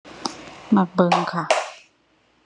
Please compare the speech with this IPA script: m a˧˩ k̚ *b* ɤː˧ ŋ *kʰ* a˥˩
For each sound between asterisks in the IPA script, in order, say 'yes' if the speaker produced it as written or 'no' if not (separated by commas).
yes, yes